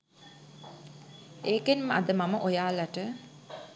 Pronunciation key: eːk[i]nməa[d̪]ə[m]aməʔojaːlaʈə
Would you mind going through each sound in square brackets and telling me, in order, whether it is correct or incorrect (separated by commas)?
incorrect, correct, correct